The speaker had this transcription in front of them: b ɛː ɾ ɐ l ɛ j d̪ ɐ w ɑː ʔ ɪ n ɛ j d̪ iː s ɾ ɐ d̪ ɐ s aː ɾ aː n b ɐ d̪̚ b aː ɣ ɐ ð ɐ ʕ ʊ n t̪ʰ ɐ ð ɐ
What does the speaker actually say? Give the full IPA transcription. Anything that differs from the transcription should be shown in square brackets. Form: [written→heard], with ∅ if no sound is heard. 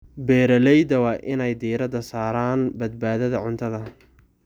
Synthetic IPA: b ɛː ɾ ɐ l ɛ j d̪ ɐ w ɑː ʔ ɪ n ɛ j d̪ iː [s→∅] ɾ ɐ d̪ ɐ s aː ɾ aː n b ɐ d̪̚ b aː [ɣ→ð] ɐ ð ɐ ʕ ʊ n t̪ʰ ɐ ð ɐ

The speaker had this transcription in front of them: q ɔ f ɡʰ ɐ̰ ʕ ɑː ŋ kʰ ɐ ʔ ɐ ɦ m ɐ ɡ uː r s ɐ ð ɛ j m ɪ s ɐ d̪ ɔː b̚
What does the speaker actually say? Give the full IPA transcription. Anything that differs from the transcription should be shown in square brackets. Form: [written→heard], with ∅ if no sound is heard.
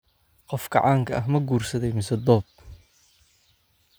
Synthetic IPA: q ɔ f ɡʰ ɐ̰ ʕ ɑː ŋ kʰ ɐ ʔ ɐ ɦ m ɐ ɡ uː r s ɐ ð ɛ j m ɪ s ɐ d̪ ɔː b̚

